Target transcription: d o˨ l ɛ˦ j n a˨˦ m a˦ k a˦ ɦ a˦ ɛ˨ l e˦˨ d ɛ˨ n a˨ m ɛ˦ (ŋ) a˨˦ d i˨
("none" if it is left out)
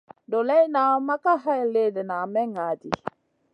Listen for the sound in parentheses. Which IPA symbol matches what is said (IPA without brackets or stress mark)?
ŋ